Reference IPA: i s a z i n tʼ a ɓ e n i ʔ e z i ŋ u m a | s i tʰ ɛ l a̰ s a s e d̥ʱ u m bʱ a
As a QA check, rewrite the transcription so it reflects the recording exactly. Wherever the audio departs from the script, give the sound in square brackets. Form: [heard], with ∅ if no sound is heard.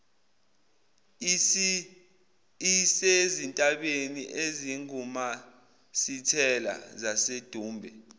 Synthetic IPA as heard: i s [e] z i n tʼ a ɓ e n i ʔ e z i ŋ u m a | s i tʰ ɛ l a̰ [z] a s e d̥ʱ [uː] m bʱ [ɛ]